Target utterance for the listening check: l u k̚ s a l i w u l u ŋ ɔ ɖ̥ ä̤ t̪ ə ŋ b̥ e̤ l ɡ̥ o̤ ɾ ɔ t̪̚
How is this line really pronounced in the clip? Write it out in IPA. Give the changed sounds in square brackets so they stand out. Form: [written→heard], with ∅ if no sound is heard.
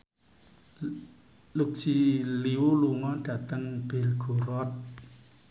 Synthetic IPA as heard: l u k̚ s [a→i] l i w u l u ŋ ɔ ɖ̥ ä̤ t̪ ə ŋ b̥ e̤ l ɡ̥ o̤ ɾ ɔ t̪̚